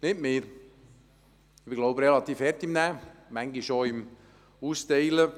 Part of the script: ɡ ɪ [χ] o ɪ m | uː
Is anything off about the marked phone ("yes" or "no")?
yes